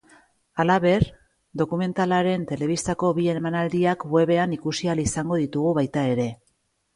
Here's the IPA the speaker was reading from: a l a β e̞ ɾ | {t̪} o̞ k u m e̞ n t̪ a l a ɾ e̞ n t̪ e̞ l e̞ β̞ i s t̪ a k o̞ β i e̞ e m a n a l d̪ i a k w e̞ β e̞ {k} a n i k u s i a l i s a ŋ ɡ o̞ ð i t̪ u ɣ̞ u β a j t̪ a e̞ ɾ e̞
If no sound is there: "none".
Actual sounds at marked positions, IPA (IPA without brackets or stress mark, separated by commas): d̪, none